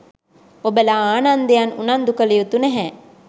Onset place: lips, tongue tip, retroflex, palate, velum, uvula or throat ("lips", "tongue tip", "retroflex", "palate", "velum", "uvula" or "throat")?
lips